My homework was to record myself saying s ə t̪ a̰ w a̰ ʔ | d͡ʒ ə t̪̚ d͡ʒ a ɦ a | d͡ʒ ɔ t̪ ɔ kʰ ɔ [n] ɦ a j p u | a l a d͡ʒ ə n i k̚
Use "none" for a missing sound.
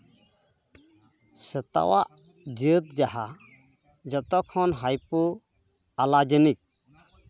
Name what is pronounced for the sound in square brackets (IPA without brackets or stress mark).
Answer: n